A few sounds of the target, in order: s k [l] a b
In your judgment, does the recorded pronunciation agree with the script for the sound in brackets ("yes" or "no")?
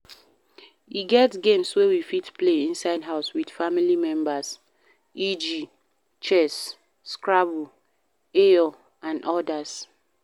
no